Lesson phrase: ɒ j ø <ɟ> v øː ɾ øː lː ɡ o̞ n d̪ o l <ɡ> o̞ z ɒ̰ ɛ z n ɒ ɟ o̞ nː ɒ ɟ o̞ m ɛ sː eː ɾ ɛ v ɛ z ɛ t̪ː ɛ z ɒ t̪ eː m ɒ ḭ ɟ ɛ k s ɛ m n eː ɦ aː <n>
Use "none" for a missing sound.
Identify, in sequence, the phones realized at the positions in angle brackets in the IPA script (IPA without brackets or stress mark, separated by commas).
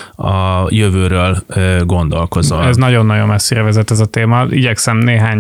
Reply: none, k, ɲ